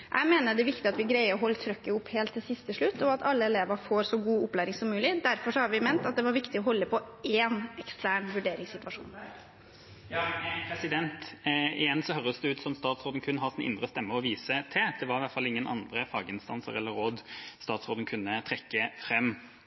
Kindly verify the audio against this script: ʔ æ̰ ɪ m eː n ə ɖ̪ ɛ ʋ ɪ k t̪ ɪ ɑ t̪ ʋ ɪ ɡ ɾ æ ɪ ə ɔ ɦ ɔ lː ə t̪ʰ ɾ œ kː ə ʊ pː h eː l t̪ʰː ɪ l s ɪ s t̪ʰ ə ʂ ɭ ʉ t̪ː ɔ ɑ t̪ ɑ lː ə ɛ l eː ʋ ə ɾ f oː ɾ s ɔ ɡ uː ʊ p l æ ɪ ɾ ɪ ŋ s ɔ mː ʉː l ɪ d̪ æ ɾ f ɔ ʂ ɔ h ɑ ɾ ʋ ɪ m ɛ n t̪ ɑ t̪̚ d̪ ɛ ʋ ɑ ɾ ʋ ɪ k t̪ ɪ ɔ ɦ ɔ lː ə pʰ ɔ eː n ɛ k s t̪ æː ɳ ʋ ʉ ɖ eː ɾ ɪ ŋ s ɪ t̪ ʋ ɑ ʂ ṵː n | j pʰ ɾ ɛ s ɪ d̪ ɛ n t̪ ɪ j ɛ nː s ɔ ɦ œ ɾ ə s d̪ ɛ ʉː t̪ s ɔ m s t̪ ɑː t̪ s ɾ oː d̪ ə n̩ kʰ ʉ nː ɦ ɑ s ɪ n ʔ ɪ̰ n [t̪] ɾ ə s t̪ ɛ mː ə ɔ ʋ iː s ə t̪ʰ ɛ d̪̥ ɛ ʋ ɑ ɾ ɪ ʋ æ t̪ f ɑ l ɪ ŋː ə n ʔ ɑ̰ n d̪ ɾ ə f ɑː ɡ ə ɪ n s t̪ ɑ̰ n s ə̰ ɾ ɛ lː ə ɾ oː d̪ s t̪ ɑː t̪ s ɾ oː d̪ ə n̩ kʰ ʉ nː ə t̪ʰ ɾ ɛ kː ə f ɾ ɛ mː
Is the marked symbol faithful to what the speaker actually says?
no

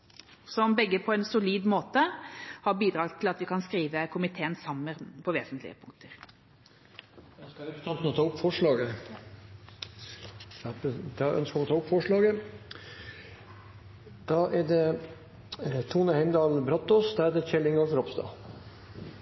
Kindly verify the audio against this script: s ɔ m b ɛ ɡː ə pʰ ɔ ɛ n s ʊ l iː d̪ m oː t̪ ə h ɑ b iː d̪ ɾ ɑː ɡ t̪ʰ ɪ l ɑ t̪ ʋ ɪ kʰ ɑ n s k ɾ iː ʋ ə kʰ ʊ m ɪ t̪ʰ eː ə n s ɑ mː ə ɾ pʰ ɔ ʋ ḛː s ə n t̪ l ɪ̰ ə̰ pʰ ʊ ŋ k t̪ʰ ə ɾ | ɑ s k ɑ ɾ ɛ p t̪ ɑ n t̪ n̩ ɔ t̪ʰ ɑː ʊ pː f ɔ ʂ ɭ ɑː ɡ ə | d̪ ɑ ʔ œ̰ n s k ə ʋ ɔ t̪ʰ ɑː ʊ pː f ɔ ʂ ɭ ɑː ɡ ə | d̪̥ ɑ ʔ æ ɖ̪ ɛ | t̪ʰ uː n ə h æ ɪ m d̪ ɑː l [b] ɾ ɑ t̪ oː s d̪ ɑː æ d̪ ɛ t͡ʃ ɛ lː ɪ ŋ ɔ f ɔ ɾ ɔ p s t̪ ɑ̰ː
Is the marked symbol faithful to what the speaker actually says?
yes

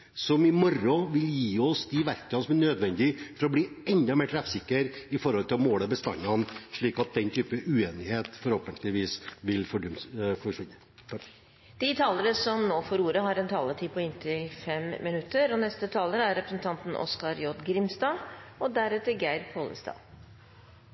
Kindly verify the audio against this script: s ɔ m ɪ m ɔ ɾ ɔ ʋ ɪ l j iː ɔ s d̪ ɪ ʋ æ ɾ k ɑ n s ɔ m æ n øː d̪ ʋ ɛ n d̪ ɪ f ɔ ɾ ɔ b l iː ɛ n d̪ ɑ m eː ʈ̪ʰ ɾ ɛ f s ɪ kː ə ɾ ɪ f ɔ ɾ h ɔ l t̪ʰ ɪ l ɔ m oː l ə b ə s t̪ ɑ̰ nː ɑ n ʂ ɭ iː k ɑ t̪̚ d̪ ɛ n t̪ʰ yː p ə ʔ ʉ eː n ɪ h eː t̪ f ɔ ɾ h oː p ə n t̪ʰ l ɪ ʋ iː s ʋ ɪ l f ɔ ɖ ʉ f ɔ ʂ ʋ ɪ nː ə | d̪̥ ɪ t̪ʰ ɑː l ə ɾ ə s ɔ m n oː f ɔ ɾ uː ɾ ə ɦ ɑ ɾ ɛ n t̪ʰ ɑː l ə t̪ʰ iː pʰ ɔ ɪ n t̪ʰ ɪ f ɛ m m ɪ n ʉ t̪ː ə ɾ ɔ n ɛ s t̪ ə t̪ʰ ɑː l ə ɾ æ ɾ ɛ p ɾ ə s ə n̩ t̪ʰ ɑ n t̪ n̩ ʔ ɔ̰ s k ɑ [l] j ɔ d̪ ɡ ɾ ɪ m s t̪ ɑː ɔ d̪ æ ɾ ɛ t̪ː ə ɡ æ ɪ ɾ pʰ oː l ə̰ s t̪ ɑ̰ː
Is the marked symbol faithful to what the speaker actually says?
no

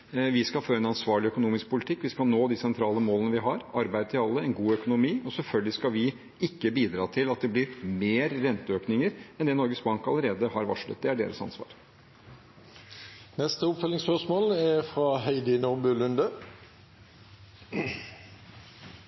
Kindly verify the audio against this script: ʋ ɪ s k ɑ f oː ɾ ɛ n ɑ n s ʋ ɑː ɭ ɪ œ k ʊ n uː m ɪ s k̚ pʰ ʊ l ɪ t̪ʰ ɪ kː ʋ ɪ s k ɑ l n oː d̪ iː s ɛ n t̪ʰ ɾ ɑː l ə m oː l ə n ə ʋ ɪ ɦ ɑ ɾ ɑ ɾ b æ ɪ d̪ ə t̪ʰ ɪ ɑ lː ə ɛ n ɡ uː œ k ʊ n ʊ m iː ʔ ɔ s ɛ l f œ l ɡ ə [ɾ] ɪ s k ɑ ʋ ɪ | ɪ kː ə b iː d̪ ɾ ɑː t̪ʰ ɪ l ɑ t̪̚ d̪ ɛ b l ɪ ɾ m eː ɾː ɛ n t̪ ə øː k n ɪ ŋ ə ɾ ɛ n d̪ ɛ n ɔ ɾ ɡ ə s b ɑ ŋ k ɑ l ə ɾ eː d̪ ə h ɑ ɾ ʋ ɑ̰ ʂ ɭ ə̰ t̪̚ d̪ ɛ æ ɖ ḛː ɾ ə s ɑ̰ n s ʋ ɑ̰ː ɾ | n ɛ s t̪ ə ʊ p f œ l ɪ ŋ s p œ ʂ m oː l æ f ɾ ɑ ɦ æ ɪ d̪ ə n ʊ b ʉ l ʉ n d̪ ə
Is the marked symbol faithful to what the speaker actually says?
no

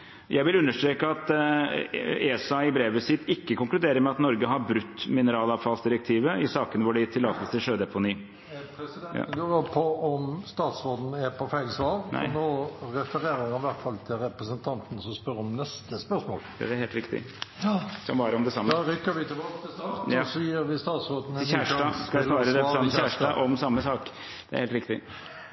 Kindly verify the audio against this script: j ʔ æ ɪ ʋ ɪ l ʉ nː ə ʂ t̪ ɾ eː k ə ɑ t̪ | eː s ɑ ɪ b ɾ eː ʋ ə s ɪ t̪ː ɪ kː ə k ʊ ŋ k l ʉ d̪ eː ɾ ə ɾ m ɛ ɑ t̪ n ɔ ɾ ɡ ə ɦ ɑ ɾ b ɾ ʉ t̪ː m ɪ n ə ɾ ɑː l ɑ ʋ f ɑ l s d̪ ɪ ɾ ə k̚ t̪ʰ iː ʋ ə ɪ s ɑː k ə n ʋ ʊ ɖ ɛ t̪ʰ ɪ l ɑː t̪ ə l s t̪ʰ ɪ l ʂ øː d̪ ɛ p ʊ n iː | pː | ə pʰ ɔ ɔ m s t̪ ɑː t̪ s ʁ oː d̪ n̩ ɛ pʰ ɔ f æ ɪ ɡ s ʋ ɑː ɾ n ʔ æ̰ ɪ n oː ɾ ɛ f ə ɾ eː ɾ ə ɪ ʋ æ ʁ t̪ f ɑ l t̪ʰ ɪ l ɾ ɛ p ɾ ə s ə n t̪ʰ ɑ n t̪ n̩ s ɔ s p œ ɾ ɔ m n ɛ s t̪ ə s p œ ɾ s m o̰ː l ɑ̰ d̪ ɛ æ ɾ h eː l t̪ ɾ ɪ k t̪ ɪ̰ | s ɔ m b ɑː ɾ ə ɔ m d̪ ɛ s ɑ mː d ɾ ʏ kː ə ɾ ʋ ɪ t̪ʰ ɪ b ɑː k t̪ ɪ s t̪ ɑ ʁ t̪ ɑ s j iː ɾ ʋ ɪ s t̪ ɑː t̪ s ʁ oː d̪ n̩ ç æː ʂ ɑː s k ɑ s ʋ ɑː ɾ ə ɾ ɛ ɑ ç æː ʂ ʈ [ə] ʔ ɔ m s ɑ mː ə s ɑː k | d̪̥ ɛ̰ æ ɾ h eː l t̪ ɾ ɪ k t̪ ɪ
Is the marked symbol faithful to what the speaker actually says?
no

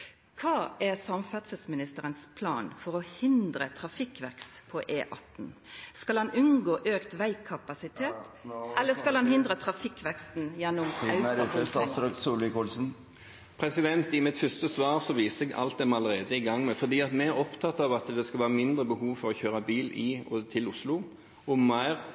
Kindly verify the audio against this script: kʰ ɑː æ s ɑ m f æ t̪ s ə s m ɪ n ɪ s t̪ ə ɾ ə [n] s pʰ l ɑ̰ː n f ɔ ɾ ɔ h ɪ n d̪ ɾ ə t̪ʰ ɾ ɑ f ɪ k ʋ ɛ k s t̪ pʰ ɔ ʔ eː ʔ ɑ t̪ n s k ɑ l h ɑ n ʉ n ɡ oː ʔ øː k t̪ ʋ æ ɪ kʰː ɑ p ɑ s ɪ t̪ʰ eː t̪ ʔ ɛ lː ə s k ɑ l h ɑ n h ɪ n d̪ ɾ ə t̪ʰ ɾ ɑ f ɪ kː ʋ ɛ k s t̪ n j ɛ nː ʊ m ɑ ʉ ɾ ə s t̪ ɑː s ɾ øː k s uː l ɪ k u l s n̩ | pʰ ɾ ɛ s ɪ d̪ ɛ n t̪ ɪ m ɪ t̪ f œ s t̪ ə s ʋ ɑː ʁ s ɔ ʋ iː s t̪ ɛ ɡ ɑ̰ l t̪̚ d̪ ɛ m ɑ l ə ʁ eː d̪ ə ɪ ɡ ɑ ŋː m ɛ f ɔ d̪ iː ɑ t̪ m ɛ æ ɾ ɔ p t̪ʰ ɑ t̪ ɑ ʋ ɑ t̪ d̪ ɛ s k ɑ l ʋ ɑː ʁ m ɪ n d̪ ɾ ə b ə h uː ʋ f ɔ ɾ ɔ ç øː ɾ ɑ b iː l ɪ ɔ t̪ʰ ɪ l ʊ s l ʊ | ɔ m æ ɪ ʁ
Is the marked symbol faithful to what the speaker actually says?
yes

